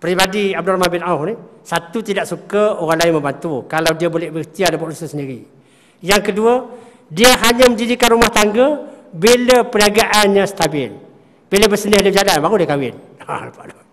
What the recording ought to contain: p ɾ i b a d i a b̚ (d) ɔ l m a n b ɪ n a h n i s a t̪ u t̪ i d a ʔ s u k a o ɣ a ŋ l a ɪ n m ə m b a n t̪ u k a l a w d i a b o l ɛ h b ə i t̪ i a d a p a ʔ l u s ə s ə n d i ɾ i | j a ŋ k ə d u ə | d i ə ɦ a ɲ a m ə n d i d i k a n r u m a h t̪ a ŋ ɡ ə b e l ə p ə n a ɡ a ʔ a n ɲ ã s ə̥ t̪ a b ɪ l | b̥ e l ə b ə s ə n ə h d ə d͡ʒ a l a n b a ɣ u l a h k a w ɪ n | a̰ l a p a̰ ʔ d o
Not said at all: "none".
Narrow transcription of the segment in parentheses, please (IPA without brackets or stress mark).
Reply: d